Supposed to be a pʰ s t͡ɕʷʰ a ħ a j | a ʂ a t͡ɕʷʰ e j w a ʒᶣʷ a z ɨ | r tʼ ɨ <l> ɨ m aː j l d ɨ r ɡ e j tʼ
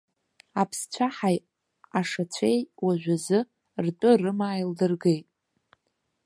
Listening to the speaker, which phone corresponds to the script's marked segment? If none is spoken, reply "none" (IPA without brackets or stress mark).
r